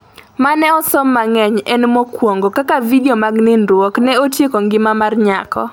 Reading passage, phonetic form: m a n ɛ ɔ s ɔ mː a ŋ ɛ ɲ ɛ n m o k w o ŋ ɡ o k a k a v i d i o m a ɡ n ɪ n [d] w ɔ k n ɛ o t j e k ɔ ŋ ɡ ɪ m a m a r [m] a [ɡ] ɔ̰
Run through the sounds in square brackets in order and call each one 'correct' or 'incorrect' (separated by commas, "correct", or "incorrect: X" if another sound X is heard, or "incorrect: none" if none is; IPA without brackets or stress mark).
correct, incorrect: ɲ, incorrect: k